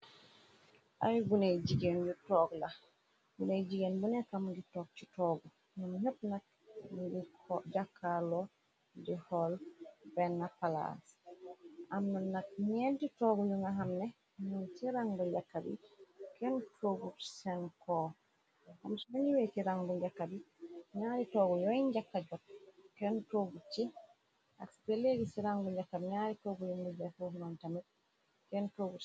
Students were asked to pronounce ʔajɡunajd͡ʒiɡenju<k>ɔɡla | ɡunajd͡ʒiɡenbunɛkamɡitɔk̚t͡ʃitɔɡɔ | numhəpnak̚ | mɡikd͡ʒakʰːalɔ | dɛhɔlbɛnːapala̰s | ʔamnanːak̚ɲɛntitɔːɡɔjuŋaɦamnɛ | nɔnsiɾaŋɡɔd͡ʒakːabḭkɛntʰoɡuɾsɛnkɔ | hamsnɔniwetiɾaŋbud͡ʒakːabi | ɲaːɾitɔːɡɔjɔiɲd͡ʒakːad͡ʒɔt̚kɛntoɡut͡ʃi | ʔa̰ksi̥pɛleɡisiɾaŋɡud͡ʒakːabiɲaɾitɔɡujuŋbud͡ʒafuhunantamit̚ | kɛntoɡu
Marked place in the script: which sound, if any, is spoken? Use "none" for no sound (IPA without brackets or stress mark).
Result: t